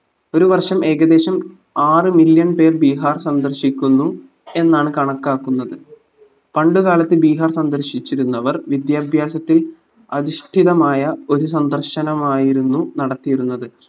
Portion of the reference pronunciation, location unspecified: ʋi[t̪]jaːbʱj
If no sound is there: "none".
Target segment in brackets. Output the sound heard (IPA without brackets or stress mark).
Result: d̪